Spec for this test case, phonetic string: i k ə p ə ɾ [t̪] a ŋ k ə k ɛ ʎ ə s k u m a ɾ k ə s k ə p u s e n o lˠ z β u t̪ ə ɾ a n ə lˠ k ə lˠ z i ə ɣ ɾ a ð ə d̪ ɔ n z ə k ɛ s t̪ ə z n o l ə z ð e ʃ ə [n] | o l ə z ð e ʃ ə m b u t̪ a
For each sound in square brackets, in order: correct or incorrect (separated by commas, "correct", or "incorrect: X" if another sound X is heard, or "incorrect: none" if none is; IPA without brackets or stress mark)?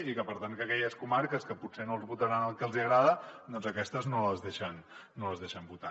correct, incorrect: nː